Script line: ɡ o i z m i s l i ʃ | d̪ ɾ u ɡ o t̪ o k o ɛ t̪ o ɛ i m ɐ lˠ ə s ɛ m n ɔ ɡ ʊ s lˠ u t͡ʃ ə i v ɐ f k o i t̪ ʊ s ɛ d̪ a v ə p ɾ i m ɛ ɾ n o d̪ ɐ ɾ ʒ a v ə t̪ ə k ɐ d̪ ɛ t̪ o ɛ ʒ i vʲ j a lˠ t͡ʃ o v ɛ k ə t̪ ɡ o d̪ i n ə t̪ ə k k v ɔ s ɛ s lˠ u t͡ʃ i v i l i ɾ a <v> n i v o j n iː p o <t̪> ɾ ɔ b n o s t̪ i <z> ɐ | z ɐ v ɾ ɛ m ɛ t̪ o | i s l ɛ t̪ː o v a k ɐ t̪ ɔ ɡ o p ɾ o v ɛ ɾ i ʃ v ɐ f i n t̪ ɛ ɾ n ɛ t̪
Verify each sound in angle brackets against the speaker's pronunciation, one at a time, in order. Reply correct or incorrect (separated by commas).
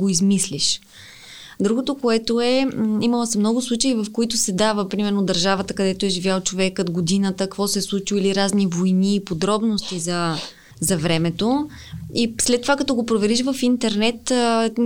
incorrect, incorrect, correct